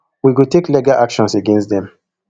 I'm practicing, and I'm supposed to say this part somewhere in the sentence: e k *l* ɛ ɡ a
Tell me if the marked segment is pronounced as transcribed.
yes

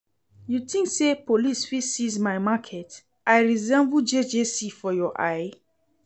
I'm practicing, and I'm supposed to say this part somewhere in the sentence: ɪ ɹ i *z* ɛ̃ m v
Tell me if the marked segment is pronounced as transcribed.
yes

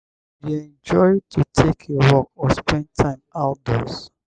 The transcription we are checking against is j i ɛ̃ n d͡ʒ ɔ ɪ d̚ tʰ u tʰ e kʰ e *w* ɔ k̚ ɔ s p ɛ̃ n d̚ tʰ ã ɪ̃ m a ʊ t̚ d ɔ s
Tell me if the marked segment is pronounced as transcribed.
yes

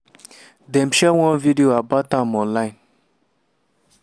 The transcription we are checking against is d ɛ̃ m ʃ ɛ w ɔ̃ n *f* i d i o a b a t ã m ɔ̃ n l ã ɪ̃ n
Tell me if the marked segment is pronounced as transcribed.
no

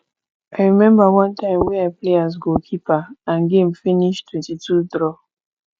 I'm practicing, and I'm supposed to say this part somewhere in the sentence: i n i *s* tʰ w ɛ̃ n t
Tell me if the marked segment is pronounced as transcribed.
no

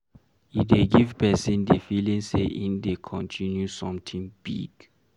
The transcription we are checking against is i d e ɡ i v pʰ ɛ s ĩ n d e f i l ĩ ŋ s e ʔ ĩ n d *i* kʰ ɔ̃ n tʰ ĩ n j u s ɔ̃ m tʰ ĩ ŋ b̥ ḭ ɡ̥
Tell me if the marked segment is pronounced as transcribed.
no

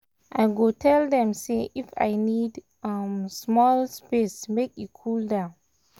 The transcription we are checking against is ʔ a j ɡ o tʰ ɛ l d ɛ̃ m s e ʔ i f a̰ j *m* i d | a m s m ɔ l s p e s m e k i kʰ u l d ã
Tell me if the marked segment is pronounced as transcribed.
no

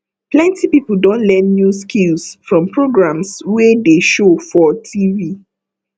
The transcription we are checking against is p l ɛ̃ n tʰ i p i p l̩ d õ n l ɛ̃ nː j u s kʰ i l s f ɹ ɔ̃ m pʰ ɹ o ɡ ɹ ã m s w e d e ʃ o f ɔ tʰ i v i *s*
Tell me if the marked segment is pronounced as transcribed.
no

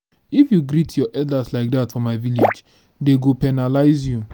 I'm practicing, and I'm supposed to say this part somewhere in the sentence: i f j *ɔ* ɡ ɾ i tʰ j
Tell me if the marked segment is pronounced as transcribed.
no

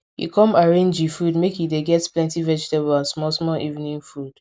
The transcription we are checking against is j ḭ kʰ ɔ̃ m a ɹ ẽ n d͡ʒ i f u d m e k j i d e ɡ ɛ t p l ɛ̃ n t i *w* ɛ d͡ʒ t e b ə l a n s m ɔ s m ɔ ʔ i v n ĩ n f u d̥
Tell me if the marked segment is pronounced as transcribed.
no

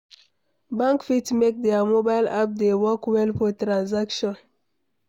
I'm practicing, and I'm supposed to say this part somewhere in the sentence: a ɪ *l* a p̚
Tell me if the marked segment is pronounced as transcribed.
yes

